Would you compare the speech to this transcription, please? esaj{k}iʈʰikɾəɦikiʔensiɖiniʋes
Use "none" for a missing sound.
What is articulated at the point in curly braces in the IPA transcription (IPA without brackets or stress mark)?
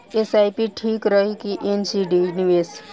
p